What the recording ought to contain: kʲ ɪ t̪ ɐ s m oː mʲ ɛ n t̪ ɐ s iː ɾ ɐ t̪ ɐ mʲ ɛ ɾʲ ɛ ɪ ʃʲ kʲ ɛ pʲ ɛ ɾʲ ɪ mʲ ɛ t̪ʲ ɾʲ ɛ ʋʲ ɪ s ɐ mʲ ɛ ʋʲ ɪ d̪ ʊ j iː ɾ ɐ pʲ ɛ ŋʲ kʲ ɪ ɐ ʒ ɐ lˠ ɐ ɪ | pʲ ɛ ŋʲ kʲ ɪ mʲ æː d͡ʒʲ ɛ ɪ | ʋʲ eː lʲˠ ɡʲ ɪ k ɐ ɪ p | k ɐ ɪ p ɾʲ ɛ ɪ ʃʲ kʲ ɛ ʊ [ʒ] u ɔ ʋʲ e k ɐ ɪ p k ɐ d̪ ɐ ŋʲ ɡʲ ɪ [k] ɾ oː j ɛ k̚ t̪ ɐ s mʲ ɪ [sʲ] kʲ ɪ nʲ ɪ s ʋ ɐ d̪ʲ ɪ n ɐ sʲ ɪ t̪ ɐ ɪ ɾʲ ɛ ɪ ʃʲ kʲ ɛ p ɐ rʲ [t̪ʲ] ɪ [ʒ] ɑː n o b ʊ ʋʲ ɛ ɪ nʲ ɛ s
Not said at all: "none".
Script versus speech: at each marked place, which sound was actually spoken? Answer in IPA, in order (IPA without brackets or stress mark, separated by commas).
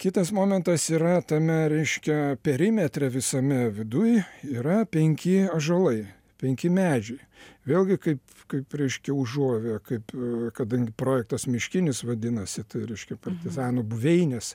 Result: ʒ, p, ʃʲ, t̪ʲ, z